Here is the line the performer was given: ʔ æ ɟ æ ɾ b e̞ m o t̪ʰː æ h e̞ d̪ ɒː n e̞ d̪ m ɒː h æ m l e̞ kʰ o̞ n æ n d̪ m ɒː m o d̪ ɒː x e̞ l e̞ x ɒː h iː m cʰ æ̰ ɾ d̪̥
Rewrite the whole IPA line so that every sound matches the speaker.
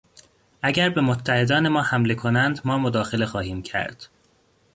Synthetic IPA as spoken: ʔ æ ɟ æ ɾ b e̞ m o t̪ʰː æ h e̞ d̪ ɒː n e̞ m ɒː h æ m l e̞ kʰ o̞ n æ n d̪ m ɒː m o d̪ ɒː x e̞ l e̞ x ɒː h iː m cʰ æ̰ ɾ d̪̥